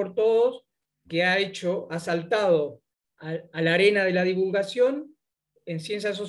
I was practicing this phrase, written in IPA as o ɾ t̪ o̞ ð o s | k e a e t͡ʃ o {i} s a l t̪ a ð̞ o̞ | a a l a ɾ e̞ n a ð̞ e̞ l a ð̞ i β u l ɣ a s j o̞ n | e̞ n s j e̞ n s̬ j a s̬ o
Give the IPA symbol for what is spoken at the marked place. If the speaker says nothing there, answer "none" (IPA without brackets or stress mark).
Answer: a